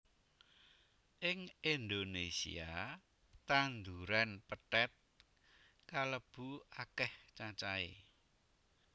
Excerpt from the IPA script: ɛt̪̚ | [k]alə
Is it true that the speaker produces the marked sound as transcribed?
yes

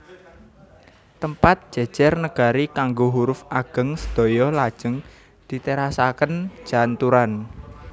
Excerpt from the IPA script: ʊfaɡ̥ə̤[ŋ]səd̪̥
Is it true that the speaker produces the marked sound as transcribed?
yes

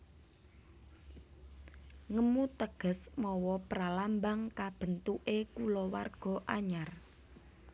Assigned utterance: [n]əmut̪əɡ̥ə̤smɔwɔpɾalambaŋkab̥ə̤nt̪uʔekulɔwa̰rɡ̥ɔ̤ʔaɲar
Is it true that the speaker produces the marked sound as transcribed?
no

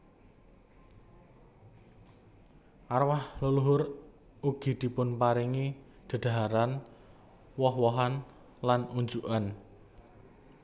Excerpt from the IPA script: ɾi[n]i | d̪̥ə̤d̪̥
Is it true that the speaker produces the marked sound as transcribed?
no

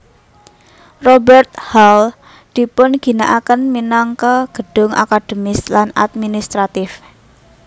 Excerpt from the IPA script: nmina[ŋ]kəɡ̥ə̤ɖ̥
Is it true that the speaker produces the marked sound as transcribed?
yes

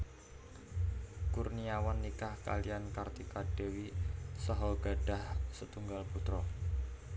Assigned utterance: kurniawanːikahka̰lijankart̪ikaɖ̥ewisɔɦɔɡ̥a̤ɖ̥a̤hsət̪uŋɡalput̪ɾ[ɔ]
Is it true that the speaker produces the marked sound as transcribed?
yes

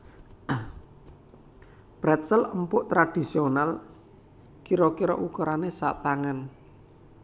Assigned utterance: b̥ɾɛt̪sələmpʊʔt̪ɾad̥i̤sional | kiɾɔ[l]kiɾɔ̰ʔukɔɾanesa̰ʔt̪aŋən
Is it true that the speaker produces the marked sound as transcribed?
no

